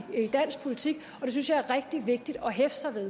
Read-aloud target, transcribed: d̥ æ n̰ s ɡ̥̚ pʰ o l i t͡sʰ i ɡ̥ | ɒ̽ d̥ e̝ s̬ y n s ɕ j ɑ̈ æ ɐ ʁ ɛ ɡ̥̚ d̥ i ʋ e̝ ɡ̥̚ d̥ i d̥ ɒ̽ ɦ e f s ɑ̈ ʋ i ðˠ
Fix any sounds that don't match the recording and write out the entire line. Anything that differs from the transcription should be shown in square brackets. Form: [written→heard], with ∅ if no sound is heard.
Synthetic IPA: d̥ æ n̰ s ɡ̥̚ pʰ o l i t͡sʰ i ɡ̥ | ɒ̽ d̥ e̝ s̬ y n s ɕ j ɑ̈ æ ɐ ʁ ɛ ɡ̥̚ d̥ i ʋ e̝ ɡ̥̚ d̥ i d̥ ɒ̽ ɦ e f s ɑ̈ ʋ [i→e] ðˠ